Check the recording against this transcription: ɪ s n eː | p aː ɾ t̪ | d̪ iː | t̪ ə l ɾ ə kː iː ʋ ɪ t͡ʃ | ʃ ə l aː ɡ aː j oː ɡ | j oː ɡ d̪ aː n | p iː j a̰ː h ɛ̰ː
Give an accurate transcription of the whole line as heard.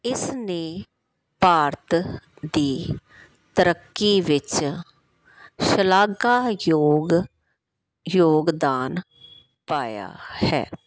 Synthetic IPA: ɪ s n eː | p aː ɾ t̪ | d̪ iː | t̪ ə ɾ ə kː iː ʋ ɪ t͡ʃ | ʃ ə l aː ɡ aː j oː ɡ | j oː ɡ d̪ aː n | p aː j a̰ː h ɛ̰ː